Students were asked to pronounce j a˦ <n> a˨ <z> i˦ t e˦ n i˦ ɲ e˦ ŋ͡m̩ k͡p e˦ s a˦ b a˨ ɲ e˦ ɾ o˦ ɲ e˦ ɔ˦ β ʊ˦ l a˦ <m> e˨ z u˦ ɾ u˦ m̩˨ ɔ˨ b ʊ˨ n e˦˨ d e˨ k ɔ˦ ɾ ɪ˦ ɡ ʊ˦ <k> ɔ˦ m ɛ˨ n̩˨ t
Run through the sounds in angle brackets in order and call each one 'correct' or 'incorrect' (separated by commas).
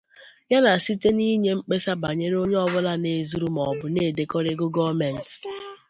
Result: correct, incorrect, incorrect, incorrect